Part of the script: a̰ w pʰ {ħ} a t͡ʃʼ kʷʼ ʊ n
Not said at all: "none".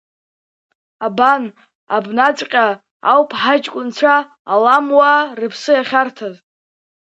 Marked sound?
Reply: ħ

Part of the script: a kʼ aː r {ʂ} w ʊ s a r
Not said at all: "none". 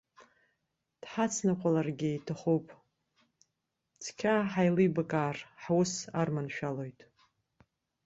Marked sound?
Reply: ħ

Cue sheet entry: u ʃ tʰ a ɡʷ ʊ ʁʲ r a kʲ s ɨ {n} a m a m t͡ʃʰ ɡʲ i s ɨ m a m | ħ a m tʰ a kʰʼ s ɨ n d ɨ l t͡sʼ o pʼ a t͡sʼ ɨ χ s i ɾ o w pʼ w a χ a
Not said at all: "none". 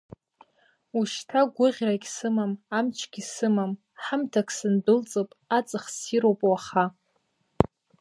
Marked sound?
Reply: m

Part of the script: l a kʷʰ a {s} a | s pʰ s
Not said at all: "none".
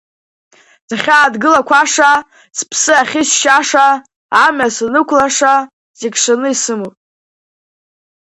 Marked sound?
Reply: ʂ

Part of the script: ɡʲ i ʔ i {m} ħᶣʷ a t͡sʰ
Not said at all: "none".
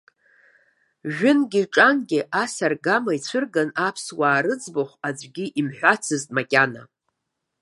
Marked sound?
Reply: m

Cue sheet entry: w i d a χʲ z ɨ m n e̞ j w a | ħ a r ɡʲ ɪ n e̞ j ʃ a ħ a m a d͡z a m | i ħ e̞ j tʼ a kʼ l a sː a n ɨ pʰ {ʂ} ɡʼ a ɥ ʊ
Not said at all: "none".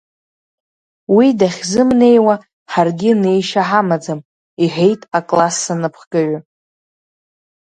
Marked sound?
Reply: χ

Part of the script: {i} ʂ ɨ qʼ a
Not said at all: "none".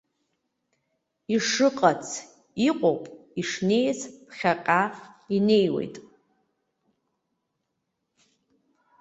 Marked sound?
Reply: i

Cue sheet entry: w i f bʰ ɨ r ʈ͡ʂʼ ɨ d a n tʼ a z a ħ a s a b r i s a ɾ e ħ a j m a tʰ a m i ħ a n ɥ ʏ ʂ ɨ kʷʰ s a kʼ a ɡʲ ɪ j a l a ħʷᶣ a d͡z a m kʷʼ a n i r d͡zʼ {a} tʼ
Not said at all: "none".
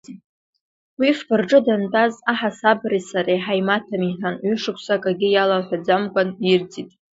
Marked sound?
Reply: i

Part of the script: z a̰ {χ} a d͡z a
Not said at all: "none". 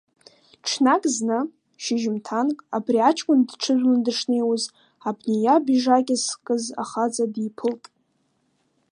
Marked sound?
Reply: χ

